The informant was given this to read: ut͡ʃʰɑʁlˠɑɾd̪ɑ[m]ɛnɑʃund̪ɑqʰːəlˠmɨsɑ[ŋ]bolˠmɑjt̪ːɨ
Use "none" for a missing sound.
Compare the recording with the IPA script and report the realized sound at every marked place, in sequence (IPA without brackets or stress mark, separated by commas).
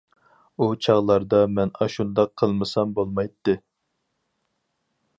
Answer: m, m